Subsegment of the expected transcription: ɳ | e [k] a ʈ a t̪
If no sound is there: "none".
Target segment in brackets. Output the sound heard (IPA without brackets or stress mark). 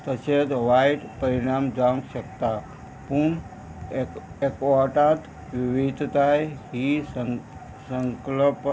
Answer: k